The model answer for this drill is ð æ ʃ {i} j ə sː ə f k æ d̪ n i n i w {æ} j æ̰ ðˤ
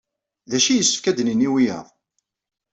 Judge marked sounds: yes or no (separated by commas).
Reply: yes, no